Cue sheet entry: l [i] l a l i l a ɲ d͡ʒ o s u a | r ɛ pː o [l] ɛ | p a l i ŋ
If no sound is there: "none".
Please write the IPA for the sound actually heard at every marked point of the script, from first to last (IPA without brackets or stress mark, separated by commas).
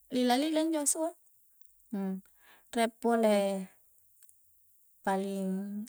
i, l